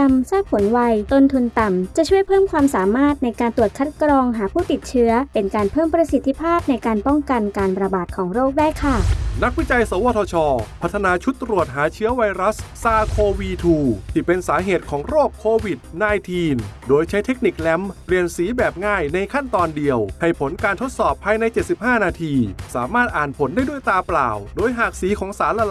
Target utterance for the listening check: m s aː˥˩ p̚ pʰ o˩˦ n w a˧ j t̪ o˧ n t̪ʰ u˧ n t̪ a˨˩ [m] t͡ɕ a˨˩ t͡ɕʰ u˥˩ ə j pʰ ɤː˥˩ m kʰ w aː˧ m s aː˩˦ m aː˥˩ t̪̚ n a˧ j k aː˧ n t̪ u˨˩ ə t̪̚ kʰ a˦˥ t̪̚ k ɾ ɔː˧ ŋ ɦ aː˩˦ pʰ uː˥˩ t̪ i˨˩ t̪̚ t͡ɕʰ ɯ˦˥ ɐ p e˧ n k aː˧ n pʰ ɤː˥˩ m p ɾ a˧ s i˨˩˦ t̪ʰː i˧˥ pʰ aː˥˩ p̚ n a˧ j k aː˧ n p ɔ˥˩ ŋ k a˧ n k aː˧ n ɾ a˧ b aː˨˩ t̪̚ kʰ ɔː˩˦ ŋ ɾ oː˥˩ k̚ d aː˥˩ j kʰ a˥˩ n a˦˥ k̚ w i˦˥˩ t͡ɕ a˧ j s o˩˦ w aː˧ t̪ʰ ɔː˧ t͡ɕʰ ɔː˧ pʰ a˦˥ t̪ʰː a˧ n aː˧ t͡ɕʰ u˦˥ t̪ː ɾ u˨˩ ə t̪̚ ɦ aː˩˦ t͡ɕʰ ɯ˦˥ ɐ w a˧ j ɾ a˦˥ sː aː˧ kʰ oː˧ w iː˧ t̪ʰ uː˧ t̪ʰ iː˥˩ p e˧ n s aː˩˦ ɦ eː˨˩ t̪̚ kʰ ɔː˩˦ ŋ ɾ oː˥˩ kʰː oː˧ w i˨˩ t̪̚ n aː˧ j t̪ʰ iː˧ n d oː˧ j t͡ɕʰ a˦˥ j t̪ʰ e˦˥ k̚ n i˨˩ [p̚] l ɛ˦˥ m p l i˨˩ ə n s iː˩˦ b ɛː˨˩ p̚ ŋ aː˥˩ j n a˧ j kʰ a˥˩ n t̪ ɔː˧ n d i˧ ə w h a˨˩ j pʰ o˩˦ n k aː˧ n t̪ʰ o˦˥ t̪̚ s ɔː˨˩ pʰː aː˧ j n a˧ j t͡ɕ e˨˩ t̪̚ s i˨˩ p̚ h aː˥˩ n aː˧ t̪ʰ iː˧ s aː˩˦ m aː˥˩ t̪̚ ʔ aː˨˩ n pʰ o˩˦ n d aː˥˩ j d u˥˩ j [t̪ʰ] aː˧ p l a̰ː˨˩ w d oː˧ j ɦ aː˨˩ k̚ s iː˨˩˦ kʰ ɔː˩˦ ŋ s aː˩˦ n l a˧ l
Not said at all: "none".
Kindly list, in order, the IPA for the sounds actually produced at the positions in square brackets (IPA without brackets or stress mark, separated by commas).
m, k̚, t̪